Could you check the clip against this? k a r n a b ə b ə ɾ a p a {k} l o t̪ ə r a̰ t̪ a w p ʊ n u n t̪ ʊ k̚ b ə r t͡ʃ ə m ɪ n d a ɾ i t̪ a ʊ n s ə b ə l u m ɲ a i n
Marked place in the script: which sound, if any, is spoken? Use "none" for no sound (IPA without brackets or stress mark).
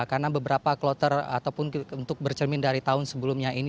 k